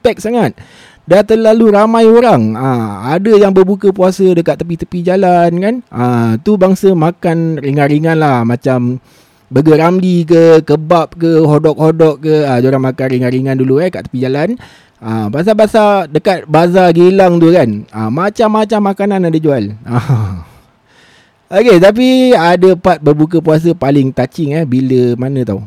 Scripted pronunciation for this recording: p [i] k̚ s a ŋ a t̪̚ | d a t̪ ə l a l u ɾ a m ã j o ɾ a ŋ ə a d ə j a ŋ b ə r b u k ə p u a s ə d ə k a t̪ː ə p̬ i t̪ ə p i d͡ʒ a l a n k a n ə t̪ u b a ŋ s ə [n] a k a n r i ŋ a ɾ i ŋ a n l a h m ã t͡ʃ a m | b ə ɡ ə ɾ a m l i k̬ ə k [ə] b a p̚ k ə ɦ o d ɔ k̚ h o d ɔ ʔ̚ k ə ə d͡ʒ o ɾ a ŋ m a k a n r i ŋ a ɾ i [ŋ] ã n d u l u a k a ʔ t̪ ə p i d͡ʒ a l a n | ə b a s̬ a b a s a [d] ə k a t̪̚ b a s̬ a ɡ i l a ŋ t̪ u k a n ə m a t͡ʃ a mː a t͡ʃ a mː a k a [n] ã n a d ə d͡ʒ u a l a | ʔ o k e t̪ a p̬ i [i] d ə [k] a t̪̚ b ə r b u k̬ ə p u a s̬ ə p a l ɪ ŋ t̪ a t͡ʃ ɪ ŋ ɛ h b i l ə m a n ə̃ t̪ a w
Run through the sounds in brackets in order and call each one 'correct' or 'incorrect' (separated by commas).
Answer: incorrect, incorrect, correct, correct, correct, correct, incorrect, incorrect